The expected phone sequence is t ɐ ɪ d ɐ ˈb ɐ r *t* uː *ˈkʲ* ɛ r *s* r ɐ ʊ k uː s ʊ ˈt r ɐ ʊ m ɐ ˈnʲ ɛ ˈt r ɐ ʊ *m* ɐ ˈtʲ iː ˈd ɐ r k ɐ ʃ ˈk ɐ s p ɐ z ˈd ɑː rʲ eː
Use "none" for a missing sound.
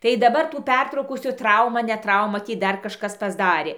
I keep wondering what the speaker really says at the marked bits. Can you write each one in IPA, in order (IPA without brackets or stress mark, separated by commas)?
t, pʲ, t, m